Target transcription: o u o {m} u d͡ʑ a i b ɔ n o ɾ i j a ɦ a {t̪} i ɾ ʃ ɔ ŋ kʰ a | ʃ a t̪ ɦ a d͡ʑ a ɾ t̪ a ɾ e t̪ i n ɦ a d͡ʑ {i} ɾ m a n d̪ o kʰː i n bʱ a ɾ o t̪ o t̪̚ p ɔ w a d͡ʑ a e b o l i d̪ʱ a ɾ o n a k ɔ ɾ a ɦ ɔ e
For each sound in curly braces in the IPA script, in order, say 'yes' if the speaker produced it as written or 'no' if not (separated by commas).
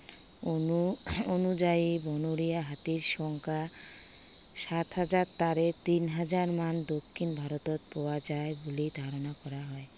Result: no, yes, no